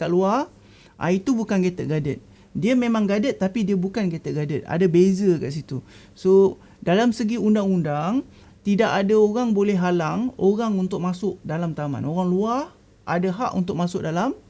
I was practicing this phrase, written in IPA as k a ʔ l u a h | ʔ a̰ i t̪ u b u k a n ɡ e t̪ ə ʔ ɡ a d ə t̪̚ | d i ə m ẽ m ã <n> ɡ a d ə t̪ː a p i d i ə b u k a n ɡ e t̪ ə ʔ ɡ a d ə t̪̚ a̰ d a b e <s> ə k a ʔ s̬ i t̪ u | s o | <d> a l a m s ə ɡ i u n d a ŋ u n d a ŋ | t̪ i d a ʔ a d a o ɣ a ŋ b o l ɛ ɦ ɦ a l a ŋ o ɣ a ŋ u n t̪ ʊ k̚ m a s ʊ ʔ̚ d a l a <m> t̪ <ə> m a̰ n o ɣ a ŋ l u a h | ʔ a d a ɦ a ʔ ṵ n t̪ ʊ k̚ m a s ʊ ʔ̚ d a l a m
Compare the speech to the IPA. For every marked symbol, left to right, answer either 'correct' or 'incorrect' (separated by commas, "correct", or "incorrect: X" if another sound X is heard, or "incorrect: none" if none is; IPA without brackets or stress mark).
incorrect: ŋ, incorrect: z, correct, correct, incorrect: a